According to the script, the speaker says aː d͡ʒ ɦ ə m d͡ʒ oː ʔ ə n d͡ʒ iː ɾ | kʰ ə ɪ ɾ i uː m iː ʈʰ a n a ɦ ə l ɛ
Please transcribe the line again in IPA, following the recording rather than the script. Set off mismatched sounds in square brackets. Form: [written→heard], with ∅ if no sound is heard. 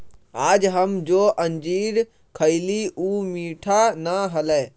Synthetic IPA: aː d͡ʒ ɦ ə m d͡ʒ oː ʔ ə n d͡ʒ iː ɾ | kʰ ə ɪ [ɾ→l] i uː m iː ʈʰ a n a ɦ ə l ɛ